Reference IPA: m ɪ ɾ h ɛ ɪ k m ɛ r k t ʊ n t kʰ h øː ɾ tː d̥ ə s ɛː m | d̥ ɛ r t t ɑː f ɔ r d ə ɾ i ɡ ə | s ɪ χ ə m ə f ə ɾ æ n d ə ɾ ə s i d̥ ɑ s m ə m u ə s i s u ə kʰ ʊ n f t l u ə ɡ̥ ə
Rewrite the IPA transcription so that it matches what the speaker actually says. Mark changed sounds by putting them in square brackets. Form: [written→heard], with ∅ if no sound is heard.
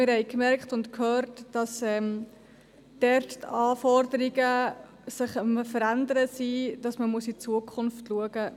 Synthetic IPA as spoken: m ɪ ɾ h ɛ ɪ k m ɛ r k t ʊ n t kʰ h øː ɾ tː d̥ [ə→ɑ] s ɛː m | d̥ ɛ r t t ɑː f ɔ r d ə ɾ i ɡ ə | s ɪ χ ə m ə f ə ɾ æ n d ə ɾ ə s i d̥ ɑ s m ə m u ə s i [s→t͡s] u ə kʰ ʊ n f t l u ə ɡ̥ ə

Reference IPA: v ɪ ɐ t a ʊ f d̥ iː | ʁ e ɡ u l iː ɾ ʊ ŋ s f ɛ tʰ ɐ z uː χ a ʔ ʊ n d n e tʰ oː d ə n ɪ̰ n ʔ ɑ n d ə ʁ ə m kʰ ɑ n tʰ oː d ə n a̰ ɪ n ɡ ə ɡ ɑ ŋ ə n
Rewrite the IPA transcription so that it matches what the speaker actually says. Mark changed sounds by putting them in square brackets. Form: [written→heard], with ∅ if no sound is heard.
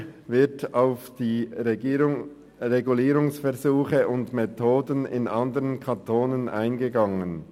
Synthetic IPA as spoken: v ɪ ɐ t a ʊ f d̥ iː | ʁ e ɡ u l iː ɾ ʊ ŋ s f ɛ [tʰ→∅] ɐ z uː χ [a→ə] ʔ ʊ n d [n→m] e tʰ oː d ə n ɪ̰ n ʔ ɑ n d ə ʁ ə [m→n] kʰ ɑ n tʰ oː [d→n] ə n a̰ ɪ n ɡ ə ɡ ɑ ŋ ə n

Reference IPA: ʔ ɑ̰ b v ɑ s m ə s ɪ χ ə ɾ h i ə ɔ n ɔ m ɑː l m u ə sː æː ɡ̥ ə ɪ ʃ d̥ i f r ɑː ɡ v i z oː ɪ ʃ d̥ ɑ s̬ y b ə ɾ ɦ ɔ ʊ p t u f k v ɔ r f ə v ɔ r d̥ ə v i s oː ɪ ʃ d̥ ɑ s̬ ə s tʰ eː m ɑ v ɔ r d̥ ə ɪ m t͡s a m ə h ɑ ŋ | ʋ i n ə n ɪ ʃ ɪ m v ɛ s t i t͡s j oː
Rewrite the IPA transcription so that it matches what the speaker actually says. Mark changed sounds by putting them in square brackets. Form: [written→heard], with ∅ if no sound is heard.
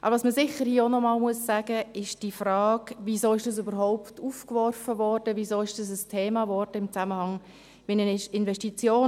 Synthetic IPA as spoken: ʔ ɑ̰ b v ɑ s m ə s ɪ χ ə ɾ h i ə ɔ n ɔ m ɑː l m u ə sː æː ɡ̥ ə ɪ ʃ d̥ i f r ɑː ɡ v i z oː ɪ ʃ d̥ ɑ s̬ y b ə ɾ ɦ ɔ ʊ p t u f k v ɔ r f ə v ɔ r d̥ ə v i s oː ɪ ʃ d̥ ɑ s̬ ə s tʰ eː m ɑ v ɔ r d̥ ə ɪ m t͡s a m ə h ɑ ŋ | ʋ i n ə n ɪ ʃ ɪ [m→n] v ɛ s t i t͡s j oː

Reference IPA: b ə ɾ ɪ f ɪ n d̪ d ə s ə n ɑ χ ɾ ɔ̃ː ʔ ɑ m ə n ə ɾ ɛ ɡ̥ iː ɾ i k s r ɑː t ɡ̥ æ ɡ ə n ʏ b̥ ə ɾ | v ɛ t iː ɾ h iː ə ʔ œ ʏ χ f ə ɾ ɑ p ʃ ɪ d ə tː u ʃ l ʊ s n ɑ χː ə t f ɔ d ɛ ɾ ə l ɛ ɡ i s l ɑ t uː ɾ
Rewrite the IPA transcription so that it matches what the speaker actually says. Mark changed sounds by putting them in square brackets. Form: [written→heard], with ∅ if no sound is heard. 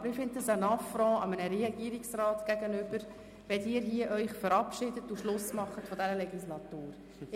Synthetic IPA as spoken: b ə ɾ ɪ f ɪ n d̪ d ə s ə n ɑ [χ→f] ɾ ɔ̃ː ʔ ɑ m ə n ə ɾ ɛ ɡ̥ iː ɾ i k s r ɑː t ɡ̥ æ ɡ ə n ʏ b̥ ə ɾ | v ɛ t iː ɾ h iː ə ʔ œ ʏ χ f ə ɾ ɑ p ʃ ɪ d ə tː u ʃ l ʊ s [n→m] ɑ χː ə t f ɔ d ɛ ɾ ə l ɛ ɡ i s l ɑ t uː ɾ

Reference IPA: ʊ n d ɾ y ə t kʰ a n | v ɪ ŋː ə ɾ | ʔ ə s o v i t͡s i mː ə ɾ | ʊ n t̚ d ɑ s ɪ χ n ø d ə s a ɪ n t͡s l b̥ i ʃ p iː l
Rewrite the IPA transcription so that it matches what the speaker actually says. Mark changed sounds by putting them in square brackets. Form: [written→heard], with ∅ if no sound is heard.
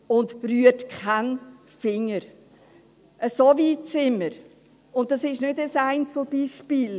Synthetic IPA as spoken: ʊ n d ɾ y ə t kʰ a n | [v→f] ɪ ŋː ə ɾ | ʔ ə s o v i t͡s [i→ɪ] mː ə ɾ | ʊ n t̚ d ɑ s ɪ [χ→ʃ] n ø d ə s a ɪ n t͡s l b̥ i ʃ p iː l

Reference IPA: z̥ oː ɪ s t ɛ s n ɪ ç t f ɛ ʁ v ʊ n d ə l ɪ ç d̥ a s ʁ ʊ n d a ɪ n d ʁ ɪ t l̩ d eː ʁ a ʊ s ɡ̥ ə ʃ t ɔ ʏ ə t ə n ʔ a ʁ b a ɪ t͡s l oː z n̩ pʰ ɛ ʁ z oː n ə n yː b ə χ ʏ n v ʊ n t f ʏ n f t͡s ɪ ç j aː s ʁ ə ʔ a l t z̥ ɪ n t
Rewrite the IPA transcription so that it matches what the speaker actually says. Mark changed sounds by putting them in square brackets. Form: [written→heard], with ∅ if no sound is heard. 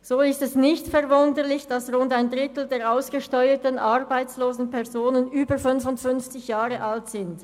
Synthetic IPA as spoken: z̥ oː ɪ s t ɛ s n ɪ ç t f ɛ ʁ v ʊ n d ə l ɪ ç d̥ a s ʁ ʊ n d a ɪ n d ʁ ɪ t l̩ d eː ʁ a ʊ s ɡ̥ ə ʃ t ɔ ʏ ə t ə n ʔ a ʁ b a ɪ t͡s l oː z n̩ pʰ ɛ ʁ z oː n ə n yː b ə [χ→f] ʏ n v ʊ n t f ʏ n f t͡s ɪ ç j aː [s→∅] ʁ ə ʔ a l t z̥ ɪ n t

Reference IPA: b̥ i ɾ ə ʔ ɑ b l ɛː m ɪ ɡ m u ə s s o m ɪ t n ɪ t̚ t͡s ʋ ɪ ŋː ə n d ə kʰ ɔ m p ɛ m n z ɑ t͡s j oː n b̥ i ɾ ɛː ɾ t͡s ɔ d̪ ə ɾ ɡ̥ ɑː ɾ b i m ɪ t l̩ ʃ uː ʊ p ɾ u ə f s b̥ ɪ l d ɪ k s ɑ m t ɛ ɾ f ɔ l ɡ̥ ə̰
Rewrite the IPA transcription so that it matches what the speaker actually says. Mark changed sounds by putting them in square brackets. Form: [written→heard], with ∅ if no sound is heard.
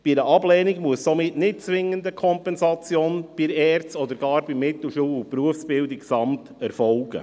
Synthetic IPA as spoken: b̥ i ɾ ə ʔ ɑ b l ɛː [m→n] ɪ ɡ m u ə s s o m ɪ t n ɪ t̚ t͡s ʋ ɪ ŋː ə n d ə kʰ ɔ m p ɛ [m→∅] n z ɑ t͡s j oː n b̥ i ɾ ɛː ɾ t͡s ɔ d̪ ə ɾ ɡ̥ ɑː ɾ b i m ɪ t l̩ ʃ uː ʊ p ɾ u ə f s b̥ ɪ l d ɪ k s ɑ m t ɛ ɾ f ɔ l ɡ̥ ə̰

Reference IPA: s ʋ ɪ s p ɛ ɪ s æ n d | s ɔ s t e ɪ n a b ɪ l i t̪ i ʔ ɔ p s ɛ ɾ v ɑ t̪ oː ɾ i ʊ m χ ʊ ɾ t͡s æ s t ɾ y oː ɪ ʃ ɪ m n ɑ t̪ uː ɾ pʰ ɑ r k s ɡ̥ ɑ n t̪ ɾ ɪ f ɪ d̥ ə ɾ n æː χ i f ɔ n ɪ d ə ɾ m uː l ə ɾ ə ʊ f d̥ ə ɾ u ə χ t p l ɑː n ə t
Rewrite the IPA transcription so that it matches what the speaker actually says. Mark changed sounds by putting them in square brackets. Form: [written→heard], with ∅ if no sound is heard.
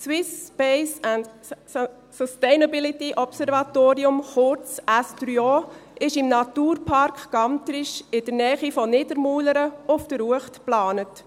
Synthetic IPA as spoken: s [ʋ→w] ɪ s p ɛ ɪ s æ n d | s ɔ s t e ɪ n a b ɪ l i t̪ i ʔ ɔ p s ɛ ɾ v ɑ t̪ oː ɾ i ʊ m χ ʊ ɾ t͡s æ s t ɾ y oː ɪ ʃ ɪ m n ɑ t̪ uː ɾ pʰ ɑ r k [s→χ] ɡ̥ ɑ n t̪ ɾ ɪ [f→ʃ] ɪ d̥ ə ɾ n [æː→ɛː] χ i f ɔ n ɪ d ə ɾ m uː l ə ɾ ə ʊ f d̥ ə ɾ u ə χ t p l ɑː n ə t

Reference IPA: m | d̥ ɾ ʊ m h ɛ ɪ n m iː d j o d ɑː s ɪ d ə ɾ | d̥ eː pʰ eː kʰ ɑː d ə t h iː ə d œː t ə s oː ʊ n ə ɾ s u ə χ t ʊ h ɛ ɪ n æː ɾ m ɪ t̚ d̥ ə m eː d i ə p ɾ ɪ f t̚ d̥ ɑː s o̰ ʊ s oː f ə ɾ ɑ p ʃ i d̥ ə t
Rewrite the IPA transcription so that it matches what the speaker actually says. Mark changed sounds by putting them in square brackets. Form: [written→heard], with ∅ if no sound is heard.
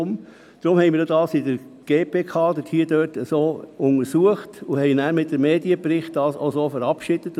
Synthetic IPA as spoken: m | d̥ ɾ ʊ m h ɛ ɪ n m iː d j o d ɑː s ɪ d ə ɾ | [d̥→ɡ̥] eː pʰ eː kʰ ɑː d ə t h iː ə d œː t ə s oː ʊ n ə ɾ s u ə χ t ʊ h ɛ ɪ n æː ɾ m ɪ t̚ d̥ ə m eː d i ə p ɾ ɪ [f→χ] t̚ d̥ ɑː s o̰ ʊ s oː f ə ɾ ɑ p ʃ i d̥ ə t

